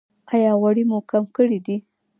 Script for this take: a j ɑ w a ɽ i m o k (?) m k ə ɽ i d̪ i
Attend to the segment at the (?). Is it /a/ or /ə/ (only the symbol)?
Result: a